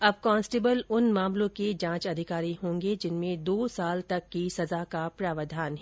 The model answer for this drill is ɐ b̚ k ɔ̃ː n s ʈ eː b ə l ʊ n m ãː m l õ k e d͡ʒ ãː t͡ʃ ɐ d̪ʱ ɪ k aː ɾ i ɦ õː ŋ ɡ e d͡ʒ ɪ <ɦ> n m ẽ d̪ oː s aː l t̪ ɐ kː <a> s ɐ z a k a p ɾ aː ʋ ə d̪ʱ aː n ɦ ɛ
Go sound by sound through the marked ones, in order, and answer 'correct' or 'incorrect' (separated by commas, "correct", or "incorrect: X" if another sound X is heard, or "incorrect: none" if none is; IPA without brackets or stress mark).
incorrect: none, incorrect: i